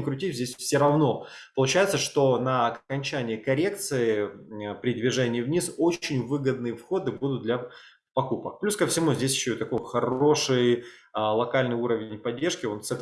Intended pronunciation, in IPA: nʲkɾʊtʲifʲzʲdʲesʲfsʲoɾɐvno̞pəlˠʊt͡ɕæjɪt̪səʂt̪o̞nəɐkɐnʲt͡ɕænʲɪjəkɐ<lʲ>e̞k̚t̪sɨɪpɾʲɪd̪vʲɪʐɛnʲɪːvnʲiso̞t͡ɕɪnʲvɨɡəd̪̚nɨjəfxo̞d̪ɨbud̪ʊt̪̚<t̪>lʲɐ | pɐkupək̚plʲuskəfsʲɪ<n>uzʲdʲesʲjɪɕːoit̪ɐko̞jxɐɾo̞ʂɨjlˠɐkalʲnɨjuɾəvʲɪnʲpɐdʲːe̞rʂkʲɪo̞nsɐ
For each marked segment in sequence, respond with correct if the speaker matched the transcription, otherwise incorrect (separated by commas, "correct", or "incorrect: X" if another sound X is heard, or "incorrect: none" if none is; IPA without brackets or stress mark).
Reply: incorrect: ɾʲ, incorrect: d̪, incorrect: m